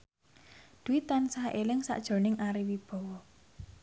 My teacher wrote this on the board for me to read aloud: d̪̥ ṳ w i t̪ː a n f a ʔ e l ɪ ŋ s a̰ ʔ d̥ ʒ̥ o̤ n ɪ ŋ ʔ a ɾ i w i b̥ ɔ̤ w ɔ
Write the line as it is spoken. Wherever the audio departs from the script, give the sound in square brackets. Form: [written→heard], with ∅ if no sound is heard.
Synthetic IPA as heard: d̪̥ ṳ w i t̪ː a n [f→s] a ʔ e l ɪ ŋ s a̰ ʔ d̥ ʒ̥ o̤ n ɪ ŋ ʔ a ɾ i w i b̥ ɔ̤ w ɔ